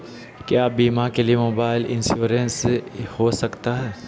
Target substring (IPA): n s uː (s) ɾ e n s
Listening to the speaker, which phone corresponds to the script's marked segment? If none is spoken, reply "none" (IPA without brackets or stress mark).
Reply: none